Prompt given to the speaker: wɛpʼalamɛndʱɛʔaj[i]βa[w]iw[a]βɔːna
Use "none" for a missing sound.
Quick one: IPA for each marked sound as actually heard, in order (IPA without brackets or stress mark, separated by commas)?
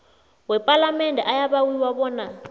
a, w, a